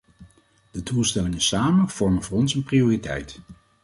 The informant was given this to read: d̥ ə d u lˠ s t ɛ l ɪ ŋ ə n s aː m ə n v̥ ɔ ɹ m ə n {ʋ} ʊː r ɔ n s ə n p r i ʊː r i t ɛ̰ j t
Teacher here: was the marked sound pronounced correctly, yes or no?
no